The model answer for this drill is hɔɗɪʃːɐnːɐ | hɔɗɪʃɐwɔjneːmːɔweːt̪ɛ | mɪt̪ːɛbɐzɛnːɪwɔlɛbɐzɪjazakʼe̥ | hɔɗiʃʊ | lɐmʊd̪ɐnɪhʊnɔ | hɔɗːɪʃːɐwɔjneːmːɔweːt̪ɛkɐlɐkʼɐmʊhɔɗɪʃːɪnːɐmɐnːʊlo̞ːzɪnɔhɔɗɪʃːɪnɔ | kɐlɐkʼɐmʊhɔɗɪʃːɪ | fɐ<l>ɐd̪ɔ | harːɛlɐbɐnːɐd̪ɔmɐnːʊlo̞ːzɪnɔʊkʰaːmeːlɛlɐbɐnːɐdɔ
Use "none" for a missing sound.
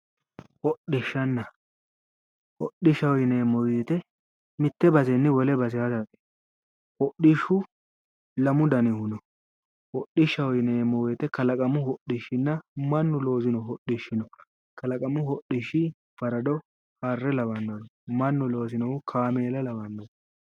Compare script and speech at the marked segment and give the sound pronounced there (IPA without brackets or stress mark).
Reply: ɾ